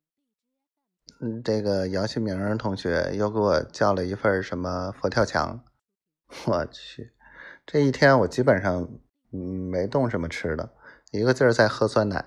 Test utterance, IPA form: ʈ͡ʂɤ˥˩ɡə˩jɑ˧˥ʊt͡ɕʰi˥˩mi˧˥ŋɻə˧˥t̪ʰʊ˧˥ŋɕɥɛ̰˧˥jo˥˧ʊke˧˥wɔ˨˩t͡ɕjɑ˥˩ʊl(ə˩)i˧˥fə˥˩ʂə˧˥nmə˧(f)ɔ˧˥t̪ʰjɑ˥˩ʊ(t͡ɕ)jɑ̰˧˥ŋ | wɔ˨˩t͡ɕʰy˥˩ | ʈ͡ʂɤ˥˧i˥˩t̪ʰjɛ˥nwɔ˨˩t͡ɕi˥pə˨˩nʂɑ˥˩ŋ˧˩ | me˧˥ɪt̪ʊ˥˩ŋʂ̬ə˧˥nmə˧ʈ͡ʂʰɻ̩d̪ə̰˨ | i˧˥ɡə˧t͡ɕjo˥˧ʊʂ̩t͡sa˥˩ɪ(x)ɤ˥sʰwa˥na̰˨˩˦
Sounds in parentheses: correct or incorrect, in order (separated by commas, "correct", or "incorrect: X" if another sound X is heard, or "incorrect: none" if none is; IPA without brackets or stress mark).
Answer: correct, correct, incorrect: t͡ɕʰ, correct